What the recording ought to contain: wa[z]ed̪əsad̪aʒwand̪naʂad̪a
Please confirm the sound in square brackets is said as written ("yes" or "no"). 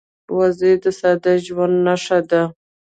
yes